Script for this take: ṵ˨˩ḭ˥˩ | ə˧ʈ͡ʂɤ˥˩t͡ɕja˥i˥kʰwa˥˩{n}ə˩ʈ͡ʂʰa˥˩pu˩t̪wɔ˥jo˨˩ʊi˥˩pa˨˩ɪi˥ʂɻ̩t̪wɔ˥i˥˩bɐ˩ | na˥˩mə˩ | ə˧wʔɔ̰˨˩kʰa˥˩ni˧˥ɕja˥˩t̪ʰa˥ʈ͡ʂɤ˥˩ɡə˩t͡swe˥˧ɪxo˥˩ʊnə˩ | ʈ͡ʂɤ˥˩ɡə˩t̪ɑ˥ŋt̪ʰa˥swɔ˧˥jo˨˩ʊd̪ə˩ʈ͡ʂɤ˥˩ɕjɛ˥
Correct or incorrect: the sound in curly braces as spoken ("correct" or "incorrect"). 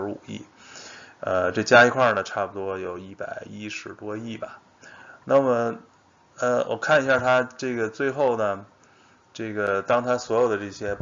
correct